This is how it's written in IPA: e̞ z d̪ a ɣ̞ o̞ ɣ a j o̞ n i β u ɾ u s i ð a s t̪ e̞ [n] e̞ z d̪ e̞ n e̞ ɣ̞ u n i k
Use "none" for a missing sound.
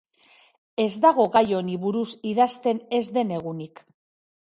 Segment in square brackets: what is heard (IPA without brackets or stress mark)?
n